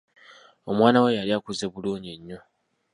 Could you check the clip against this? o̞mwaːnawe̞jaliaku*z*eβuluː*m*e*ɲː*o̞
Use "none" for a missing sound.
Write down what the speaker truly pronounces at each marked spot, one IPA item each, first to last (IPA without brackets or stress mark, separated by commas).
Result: z, ɲ, ɲː